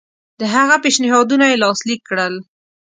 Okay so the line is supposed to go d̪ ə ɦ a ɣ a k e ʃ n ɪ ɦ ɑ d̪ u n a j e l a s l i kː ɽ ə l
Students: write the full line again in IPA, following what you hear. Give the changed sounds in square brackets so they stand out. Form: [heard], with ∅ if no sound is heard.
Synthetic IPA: d̪ ə ɦ a ɣ a [p] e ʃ n ɪ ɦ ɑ d̪ u n a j e l [ɑ] s l i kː ɽ ə l